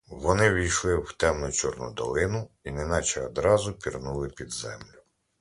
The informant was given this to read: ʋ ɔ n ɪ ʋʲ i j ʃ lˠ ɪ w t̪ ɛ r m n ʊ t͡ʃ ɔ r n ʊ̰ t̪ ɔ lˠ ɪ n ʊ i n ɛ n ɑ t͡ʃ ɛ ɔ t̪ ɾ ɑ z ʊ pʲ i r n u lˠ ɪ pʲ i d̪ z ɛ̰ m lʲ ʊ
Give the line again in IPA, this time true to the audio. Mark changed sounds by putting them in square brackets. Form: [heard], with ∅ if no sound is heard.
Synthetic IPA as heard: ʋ ɔ n ɪ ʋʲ i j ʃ lˠ ɪ w t̪ ɛ [∅] m n ʊ t͡ʃ ɔ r n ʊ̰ [d̪] ɔ lˠ ɪ n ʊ i n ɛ n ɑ t͡ʃ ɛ ɔ [d̪] ɾ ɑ z ʊ pʲ i r n u lˠ ɪ pʲ i d̪ z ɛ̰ m lʲ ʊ